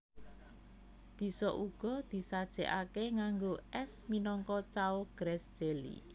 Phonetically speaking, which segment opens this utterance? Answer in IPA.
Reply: b̥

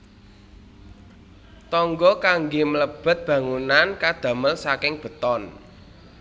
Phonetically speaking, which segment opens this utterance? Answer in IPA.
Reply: t̪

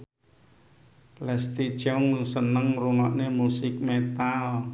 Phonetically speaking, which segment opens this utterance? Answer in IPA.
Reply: l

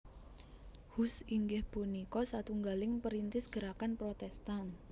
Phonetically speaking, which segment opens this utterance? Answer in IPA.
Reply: h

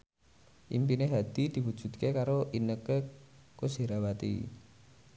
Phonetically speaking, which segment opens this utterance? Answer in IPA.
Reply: ʔ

